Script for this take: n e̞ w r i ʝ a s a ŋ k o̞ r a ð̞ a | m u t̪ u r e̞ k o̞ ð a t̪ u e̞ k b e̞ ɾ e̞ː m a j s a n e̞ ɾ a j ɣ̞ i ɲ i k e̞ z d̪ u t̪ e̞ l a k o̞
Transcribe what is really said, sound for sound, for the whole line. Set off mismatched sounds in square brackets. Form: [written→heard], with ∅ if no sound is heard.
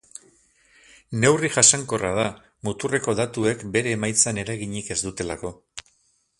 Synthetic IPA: n e̞ w r i ʝ a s a ŋ k o̞ r a ð̞ a | m u t̪ u r e̞ k o̞ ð a t̪ u e̞ k b e̞ ɾ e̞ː m a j [s→t͡s] a n e̞ ɾ a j ɣ̞ i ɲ i k e̞ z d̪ u t̪ e̞ l a k o̞